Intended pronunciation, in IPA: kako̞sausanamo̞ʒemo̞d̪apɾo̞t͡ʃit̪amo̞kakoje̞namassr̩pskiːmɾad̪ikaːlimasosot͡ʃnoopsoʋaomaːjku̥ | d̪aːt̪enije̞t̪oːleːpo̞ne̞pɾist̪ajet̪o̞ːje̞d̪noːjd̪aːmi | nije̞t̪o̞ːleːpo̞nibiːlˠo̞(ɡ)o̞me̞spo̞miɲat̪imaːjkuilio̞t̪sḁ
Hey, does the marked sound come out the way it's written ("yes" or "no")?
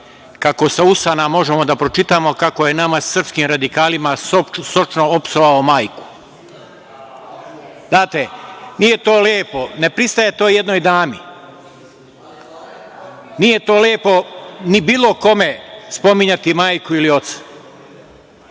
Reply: no